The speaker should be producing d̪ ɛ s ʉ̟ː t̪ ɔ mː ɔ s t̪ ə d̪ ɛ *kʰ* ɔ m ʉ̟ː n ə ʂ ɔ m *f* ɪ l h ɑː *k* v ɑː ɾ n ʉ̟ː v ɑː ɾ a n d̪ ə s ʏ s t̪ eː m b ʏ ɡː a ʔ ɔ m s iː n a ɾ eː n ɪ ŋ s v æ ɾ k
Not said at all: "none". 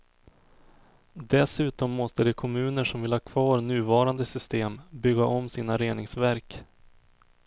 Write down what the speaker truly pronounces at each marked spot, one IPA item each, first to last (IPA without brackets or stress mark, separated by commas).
kʰ, v, kʰ